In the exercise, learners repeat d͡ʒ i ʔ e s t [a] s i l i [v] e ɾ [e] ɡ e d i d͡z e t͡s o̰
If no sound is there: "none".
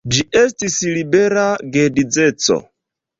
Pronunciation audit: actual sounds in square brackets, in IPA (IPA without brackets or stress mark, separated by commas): i, b, a